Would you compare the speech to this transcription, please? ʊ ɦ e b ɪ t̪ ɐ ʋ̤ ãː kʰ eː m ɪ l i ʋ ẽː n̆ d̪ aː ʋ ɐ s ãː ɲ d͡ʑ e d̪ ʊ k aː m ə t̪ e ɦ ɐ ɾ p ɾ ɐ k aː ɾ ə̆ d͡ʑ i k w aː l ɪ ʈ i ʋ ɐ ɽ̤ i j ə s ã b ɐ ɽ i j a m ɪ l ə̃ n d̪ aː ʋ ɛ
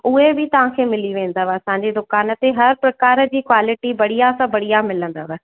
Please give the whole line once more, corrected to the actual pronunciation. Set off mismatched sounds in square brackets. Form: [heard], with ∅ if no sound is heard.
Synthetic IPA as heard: ʊ ɦ e b ɪ t̪ ɐ ʋ̤ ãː kʰ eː m ɪ l i ʋ ẽː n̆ d̪ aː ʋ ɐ s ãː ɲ d͡ʑ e d̪ ʊ k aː [n] ə t̪ e ɦ ɐ ɾ p ɾ ɐ k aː ɾ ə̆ d͡ʑ [iː] k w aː l ɪ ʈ i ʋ ɐ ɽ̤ i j [a] s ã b ɐ ɽ i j a m ɪ l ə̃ n d̪ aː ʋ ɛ